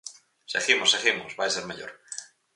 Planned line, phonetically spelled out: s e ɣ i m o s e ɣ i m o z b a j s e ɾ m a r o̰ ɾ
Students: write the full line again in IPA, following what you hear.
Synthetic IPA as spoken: s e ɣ i m o s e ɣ i m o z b a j s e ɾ m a ʎ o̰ ɾ